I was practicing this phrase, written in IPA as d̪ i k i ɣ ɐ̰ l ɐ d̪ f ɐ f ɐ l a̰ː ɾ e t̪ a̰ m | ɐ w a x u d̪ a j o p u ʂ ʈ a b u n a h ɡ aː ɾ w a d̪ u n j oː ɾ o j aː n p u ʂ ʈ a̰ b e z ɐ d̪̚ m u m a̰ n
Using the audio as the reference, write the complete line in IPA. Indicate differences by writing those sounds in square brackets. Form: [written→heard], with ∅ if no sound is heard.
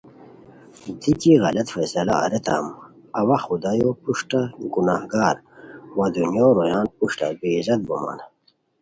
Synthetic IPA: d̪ i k i ɣ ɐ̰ l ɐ [d̪→t̪] f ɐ [f→s] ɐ l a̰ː ɾ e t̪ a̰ m | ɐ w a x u d̪ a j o p u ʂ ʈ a [b→ɡ] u n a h ɡ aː ɾ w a d̪ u n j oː ɾ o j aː n p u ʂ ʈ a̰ b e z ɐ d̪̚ [m→b] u m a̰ n